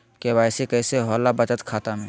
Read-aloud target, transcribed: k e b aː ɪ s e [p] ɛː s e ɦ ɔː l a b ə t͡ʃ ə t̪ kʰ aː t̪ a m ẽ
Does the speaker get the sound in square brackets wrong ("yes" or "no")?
yes